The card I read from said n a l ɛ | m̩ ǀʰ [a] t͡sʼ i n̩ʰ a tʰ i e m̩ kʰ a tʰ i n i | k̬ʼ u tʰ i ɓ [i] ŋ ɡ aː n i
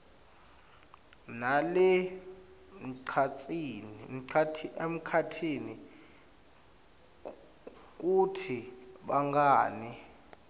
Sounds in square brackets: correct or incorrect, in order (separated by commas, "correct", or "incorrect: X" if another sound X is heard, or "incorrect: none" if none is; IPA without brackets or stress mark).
correct, incorrect: a